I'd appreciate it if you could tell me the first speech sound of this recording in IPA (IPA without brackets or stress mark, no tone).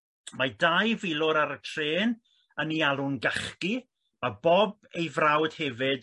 m